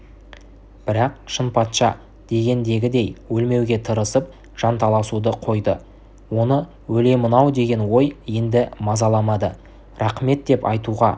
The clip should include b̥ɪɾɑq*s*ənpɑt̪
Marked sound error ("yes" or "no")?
yes